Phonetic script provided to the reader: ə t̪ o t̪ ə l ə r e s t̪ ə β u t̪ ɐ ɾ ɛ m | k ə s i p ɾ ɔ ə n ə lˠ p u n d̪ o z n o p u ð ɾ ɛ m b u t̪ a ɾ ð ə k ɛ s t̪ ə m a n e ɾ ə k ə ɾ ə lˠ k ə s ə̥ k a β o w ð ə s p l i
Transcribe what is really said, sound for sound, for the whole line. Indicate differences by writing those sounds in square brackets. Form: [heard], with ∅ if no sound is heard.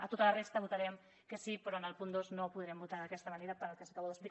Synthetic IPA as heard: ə t̪ o t̪ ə l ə r e s t̪ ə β u t̪ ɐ ɾ ɛ m | k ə s i p ɾ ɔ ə n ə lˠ p u n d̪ o z n o p u ð ɾ ɛ m b u t̪ a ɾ ð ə k ɛ s t̪ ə m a n e ɾ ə [p] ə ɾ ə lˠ k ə s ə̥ k a β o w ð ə s p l i